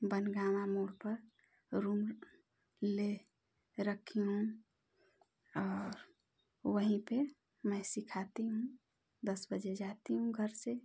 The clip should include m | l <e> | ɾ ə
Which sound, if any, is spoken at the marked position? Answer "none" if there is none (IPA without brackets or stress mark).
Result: e